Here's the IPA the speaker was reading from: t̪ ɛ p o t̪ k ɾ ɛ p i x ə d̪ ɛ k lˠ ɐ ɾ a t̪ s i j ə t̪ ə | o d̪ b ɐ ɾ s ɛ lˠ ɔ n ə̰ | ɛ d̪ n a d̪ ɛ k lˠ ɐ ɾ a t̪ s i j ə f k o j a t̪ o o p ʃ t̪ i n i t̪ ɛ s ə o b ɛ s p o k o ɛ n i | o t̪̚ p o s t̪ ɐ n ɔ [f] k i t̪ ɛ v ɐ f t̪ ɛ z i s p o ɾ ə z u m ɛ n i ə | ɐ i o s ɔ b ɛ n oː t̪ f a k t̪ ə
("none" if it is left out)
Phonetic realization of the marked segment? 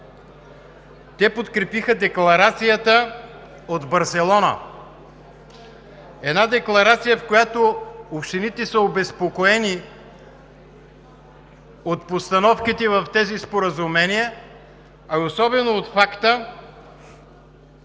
f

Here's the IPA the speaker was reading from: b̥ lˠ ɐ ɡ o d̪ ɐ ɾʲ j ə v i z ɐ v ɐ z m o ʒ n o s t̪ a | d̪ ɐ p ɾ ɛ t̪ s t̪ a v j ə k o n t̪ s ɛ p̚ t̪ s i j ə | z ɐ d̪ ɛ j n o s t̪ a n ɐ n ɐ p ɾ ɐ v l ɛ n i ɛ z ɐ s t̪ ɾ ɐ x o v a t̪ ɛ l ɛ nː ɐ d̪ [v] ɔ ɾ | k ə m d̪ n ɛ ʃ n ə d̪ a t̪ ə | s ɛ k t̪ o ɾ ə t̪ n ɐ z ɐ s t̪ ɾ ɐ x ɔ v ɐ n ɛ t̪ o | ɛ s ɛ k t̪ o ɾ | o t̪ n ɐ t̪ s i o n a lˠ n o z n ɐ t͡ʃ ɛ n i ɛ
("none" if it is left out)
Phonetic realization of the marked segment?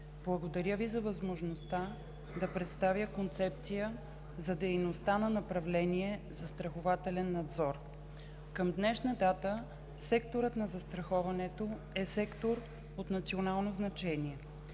z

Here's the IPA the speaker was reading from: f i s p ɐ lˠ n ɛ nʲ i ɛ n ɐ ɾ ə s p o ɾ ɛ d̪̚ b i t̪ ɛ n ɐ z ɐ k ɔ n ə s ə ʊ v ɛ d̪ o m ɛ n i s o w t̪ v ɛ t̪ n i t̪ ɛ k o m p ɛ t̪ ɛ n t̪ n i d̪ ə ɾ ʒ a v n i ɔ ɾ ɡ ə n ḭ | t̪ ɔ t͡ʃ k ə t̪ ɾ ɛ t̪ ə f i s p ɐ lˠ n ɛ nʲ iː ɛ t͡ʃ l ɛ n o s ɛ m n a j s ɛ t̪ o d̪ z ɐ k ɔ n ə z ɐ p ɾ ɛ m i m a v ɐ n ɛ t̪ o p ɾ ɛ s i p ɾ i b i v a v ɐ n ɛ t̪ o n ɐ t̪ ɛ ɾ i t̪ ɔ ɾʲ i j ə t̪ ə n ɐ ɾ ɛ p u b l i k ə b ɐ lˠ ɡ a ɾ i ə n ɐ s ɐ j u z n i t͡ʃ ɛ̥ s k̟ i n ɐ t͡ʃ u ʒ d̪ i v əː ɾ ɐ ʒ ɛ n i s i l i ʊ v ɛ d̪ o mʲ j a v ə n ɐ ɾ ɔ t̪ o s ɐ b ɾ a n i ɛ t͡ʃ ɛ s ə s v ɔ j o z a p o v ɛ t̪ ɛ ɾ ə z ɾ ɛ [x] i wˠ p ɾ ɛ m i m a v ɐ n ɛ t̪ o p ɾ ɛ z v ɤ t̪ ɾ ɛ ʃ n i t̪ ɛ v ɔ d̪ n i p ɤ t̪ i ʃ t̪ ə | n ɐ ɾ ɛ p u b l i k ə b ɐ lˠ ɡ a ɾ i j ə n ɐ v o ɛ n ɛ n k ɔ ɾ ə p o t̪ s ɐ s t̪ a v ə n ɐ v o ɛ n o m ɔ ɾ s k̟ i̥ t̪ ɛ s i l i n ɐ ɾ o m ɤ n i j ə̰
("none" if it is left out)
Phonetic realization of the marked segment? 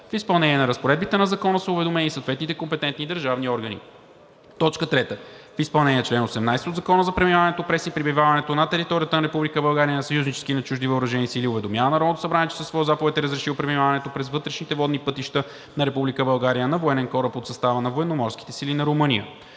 ʃ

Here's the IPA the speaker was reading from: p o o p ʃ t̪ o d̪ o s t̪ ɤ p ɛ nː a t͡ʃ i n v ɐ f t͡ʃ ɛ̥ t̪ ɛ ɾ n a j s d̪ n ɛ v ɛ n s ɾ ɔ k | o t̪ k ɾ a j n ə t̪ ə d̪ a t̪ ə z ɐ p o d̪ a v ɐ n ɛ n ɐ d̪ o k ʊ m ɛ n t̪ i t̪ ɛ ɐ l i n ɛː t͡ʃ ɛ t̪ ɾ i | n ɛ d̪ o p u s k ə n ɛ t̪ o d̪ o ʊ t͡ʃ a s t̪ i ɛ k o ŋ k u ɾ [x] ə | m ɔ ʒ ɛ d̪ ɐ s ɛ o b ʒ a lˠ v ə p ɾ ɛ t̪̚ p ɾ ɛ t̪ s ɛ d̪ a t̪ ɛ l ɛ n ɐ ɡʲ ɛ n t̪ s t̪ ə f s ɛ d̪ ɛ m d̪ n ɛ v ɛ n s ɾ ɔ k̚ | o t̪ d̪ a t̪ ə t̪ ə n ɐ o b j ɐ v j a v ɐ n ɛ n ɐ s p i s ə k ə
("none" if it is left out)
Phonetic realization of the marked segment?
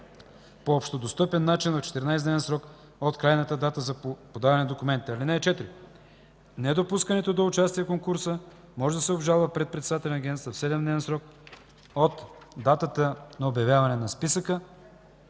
s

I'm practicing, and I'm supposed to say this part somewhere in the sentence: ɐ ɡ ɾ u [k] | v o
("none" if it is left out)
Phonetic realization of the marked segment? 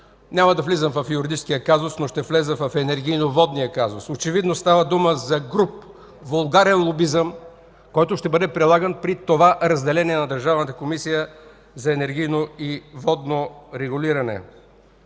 p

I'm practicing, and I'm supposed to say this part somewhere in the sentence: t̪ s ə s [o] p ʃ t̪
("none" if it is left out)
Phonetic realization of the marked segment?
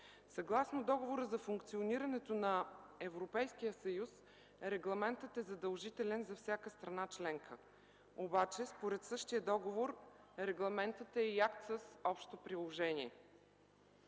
ɔ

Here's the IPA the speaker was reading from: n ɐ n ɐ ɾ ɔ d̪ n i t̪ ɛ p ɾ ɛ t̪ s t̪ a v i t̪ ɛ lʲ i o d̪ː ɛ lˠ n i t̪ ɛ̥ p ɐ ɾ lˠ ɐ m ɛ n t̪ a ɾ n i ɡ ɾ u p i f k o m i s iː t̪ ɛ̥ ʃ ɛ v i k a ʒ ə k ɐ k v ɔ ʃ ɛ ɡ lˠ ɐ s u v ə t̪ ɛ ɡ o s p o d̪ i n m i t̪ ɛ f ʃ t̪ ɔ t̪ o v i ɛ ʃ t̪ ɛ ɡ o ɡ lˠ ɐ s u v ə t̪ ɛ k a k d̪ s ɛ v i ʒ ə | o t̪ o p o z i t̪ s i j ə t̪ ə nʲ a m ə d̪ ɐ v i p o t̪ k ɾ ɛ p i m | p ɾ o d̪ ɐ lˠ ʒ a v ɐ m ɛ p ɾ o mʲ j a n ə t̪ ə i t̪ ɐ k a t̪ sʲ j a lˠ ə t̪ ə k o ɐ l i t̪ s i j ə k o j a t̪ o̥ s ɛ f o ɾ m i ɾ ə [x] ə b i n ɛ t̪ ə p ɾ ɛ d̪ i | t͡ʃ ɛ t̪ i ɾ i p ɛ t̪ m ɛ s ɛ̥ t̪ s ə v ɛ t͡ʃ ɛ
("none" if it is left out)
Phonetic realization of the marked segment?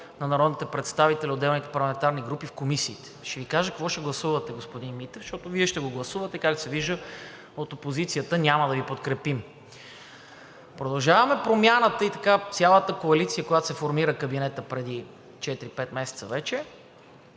k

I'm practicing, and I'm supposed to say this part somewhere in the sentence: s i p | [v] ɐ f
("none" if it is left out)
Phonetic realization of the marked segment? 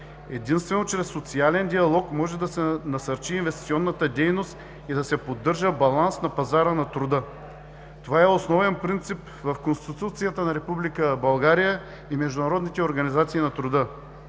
v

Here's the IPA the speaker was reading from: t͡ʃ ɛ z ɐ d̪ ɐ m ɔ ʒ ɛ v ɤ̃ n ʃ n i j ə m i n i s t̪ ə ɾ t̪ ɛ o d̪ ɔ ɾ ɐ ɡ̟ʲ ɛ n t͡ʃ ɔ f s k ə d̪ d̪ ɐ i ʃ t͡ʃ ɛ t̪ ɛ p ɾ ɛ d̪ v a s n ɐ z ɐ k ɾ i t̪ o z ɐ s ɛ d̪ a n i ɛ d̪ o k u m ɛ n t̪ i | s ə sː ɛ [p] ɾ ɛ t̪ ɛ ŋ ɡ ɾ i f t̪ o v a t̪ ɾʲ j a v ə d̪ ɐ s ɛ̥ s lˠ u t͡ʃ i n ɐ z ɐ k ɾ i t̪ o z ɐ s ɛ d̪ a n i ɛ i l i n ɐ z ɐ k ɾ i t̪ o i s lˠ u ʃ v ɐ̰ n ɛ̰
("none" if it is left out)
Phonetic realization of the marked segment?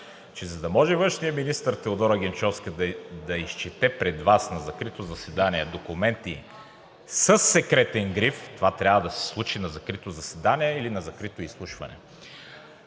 k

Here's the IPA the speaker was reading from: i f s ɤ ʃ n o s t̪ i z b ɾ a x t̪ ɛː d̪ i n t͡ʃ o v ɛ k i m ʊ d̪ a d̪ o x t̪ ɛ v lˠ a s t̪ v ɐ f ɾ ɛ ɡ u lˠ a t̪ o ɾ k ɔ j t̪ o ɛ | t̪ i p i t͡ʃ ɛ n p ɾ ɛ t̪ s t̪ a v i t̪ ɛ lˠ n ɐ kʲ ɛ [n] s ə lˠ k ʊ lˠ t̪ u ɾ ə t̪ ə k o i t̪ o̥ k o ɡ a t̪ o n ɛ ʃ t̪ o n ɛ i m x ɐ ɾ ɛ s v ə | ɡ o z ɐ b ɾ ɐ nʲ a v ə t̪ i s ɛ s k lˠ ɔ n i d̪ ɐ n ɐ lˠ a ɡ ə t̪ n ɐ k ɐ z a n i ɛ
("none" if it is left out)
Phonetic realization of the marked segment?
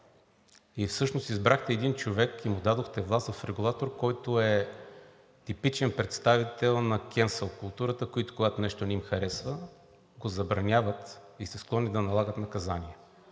n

